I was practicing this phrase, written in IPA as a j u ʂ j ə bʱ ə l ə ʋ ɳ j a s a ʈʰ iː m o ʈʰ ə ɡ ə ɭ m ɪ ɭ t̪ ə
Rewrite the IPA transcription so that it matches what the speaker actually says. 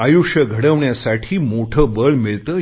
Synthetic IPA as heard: a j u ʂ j ə ɡʱ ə ɽ ə ʋ ɳ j a s a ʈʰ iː m o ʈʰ ə b ə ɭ m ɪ ɭ t̪ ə